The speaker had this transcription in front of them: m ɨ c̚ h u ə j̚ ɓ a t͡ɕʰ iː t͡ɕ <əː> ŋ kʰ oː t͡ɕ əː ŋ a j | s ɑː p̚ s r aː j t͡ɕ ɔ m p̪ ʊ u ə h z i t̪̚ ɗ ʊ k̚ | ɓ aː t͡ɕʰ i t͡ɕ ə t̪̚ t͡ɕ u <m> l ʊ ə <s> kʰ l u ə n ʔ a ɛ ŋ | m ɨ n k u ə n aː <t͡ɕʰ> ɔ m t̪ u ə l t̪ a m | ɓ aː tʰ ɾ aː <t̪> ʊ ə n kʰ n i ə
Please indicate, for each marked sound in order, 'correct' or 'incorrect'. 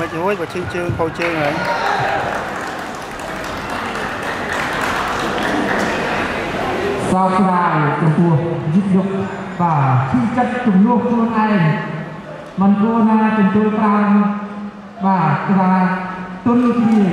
correct, correct, incorrect, incorrect, correct

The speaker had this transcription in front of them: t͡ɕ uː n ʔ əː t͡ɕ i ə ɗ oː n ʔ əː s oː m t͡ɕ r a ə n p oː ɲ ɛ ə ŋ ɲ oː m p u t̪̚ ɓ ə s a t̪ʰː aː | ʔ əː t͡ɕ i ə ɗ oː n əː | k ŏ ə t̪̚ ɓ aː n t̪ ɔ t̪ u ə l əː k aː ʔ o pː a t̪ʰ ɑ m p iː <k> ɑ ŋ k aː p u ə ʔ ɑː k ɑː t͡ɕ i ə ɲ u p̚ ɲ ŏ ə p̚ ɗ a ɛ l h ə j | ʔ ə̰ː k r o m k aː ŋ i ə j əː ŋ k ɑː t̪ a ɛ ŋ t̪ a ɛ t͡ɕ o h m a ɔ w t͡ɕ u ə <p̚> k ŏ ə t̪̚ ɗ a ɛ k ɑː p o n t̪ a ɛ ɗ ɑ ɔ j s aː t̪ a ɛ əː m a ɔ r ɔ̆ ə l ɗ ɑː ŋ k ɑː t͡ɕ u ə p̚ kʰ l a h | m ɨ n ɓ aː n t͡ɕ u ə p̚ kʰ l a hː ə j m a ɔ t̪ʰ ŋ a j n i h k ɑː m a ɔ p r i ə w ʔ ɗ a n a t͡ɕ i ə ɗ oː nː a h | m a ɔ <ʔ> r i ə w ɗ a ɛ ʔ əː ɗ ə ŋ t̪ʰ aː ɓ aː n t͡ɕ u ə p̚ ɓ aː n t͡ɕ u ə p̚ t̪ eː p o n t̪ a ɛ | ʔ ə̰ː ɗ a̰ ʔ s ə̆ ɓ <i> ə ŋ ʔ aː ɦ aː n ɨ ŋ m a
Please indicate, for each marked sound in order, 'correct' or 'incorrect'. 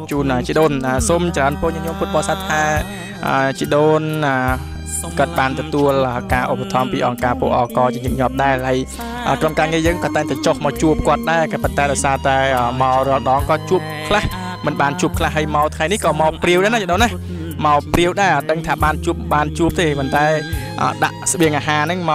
incorrect, correct, incorrect, correct

